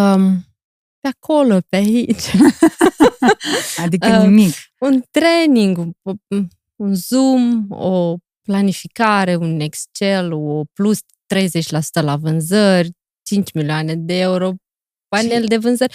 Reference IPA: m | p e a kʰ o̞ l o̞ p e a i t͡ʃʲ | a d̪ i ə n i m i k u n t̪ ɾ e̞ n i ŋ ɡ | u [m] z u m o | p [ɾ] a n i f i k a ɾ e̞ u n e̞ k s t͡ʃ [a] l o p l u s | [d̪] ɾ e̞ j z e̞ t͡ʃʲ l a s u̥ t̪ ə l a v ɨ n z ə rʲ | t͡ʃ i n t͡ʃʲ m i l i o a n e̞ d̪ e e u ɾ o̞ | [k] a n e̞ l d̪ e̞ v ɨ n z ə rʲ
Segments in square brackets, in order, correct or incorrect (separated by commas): incorrect, incorrect, incorrect, incorrect, incorrect